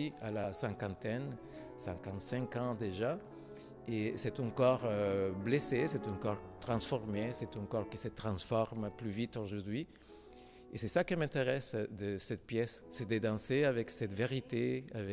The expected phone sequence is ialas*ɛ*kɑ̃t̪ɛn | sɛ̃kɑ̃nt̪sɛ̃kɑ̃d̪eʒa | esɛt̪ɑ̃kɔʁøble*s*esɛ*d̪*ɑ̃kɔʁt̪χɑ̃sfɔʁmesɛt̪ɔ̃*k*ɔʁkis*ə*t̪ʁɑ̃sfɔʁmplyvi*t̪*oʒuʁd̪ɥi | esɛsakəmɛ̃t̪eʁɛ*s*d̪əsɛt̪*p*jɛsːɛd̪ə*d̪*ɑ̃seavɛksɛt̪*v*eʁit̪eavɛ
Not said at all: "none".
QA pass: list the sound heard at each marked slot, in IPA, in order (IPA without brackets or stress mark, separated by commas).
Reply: ɛ̃, s, t̪, k, ə, t̪, s, p, d̪, v